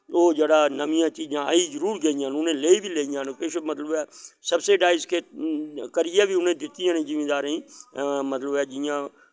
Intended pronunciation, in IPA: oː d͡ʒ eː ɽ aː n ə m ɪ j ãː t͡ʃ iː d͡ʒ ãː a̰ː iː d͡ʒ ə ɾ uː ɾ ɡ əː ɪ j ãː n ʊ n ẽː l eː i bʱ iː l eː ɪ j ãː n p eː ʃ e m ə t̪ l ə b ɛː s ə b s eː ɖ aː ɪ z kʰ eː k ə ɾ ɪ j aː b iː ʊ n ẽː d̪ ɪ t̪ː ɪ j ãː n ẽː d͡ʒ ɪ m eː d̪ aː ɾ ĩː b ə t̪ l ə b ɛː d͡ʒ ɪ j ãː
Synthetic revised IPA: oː d͡ʒ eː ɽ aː n ə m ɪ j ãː t͡ʃ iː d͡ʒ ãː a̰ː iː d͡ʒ ə ɾ uː ɾ ɡ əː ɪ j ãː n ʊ n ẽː l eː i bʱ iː l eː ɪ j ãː n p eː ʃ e m ə t̪ l ə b ɛː s ə b s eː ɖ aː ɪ z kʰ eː k ə ɾ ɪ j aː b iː ʊ n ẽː d̪ ɪ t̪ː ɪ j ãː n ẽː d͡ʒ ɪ m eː d̪ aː ɾ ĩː m ə t̪ l ə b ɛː d͡ʒ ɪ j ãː

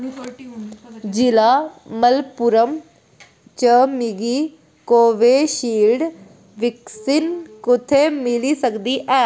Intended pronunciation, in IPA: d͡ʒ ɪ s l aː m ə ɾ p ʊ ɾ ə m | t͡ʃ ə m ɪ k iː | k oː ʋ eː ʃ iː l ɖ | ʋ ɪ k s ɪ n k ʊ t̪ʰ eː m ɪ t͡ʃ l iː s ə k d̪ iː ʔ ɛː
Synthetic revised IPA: d͡ʒ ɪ l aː m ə l p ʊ ɾ ə m | t͡ʃ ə m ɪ ɡ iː | k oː ʋ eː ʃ iː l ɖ | ʋ ɪ k s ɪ n k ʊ t̪ʰ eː m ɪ l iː s ə k d̪ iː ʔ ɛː

